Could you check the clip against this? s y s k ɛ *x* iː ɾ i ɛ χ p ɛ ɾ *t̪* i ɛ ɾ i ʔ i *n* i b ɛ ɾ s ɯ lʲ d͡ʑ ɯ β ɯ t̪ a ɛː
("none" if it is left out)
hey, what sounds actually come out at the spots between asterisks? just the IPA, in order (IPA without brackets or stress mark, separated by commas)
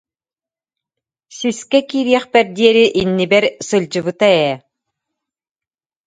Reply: k, d̪, nː